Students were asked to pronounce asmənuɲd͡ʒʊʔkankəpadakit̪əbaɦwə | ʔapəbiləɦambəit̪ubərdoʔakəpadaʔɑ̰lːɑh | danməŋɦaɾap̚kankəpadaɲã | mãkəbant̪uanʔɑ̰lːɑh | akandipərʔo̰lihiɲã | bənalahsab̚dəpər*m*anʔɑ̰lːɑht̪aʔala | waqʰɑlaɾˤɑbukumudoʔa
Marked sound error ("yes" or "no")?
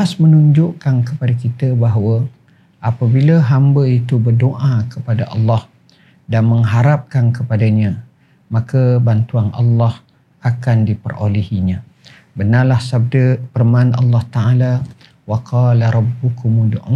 no